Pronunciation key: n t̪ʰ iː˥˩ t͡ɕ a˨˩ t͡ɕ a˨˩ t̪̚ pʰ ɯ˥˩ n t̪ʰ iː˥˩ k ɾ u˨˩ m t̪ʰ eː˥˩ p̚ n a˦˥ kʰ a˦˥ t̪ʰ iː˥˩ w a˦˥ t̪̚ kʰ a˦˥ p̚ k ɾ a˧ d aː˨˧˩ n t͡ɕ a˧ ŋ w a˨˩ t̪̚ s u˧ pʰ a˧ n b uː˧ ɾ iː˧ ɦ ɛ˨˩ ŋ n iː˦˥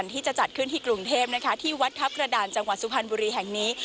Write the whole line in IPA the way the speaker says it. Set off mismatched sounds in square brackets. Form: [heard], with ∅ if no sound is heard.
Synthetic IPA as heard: n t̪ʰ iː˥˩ t͡ɕ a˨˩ t͡ɕ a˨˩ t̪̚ [kʰ] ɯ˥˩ n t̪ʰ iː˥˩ k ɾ u˨˩ [ŋ] t̪ʰ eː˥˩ p̚ n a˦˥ kʰ a˦˥ t̪ʰ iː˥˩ w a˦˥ t̪̚ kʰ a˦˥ p̚ k ɾ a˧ d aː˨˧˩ n t͡ɕ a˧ ŋ w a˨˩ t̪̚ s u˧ pʰ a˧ n b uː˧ ɾ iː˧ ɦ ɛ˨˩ ŋ n iː˦˥